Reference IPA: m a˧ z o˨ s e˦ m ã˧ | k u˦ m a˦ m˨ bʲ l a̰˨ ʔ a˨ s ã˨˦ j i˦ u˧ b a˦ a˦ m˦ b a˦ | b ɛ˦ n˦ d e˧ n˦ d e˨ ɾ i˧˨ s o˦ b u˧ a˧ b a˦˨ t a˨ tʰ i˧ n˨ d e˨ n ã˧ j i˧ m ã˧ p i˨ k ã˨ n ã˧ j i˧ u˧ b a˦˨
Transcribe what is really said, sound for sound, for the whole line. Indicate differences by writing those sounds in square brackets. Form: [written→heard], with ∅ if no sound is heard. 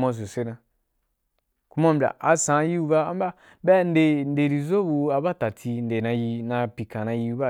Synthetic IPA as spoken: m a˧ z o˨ s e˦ [m→n] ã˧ | k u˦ m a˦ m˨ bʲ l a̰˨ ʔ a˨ s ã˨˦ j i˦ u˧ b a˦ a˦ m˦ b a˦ | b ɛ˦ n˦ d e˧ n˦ d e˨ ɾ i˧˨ [s→z] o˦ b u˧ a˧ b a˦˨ t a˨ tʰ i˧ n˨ d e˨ n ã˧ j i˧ [m→n] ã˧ p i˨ k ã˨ n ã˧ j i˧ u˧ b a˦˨

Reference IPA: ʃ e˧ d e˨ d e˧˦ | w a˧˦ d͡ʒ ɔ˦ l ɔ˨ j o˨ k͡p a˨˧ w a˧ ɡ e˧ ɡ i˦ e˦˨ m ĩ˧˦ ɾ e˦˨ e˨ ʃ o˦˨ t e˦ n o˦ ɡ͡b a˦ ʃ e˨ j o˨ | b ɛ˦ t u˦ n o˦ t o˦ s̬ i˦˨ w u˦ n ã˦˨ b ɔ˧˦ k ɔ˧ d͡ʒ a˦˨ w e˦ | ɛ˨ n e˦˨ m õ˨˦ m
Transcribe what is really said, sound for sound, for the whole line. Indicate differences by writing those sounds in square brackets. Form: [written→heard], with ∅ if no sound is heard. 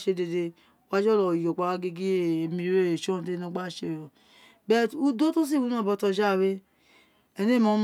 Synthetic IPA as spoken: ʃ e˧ d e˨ d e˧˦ | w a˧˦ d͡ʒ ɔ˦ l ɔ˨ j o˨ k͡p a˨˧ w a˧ ɡ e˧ ɡ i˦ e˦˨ m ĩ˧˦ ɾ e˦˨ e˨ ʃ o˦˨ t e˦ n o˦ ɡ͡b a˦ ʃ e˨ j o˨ | b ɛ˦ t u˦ [n→d] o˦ t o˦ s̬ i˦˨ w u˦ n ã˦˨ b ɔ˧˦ [k→t] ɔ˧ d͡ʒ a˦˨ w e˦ | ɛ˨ n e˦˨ m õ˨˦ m

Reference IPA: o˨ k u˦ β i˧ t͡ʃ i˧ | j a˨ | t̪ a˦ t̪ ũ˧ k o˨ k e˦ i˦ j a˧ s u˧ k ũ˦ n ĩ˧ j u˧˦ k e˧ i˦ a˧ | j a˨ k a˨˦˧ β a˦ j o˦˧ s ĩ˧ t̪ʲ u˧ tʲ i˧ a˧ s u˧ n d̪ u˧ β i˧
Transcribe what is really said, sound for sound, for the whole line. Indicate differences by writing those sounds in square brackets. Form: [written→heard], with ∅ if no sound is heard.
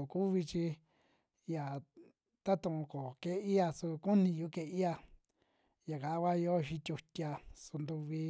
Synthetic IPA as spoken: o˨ k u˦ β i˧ t͡ʃ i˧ | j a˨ | t̪ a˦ t̪ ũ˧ k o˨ k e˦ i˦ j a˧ s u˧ k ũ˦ n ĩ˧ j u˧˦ k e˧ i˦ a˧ | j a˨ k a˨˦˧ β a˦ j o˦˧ [s→ʃ] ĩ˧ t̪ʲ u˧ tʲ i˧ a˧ s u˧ n d̪ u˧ β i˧

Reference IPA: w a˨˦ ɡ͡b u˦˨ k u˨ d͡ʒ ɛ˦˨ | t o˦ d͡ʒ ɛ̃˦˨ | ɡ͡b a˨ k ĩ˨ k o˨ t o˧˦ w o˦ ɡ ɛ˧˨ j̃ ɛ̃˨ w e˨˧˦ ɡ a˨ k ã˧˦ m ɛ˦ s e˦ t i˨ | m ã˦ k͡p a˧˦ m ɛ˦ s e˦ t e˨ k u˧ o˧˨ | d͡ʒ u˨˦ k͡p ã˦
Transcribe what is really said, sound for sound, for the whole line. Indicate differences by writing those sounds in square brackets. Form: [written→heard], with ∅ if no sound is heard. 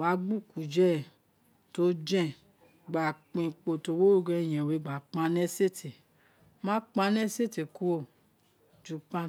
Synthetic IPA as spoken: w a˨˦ ɡ͡b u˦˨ k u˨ d͡ʒ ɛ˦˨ | t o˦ d͡ʒ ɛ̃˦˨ | ɡ͡b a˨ [k→k͡p] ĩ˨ [k→k͡p] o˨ t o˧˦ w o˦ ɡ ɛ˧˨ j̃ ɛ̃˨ w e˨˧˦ [ɡ→ɡ͡b] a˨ [k→k͡p] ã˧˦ [m→n] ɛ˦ s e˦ t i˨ | m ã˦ k͡p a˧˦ [m→n] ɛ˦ s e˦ t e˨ k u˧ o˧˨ | d͡ʒ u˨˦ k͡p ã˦

